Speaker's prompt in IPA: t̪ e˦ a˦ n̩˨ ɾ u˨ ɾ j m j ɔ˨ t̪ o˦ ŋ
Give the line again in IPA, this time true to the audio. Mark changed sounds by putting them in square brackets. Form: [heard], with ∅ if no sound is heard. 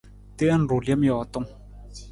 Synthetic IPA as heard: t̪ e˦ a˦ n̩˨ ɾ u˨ [l] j m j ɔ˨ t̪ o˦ ŋ